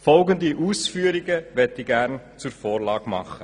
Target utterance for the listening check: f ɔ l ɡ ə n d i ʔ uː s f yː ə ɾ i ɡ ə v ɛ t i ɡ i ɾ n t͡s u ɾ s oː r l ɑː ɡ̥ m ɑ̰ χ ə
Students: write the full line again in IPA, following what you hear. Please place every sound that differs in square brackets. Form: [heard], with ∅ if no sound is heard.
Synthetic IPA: f ɔ l ɡ ə n d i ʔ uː s f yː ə ɾ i ɡ ə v ɛ t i ɡ [æ] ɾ n t͡s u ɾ [f] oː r l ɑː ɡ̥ m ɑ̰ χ ə